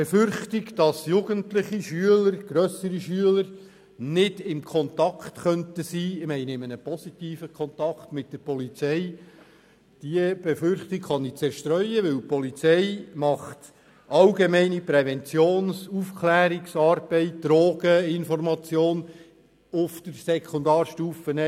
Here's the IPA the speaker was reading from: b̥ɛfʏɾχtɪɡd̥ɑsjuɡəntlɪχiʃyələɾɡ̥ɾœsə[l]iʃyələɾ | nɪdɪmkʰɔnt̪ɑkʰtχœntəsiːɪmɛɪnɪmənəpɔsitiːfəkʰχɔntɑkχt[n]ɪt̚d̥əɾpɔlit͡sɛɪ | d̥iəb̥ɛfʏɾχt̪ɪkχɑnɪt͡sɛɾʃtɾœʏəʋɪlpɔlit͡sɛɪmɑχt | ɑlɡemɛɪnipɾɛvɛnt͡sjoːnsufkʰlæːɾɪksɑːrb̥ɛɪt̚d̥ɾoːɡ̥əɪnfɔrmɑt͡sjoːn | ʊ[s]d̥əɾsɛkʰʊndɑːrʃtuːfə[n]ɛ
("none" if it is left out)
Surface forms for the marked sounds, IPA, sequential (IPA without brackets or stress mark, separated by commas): ɾ, m, f, n